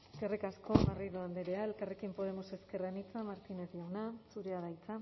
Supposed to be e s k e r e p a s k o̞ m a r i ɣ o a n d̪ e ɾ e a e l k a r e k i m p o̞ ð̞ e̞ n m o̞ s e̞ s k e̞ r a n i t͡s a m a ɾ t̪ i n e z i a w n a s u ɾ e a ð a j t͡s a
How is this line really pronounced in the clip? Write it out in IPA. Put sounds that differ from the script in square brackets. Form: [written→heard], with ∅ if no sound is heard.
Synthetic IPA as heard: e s k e r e [p→k] a s k o̞ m a r i [ɣ→ð] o a n d̪ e ɾ e a e l k a r e k i m p o̞ ð̞ e̞ [n→∅] m o̞ s e̞ s k e̞ r a n i t͡s a m a ɾ t̪ i n e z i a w n a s u ɾ e a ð a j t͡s a